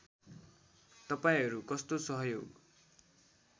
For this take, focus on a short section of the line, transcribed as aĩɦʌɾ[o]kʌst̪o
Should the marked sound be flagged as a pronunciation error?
yes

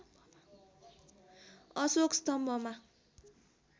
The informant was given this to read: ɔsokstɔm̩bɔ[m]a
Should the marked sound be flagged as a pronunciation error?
no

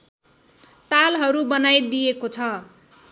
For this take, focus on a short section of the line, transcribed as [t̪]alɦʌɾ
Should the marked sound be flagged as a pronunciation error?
no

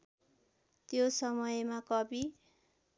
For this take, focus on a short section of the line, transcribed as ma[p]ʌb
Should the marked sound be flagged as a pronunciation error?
yes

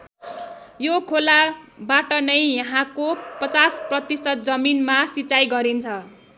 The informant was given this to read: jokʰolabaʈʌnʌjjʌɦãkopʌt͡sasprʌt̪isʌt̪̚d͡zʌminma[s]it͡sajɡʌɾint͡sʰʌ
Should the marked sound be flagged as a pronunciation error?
no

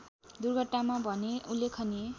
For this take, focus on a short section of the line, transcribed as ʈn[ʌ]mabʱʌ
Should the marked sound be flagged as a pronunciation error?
yes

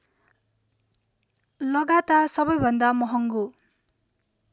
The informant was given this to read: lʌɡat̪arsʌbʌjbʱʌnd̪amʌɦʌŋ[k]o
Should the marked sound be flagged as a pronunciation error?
yes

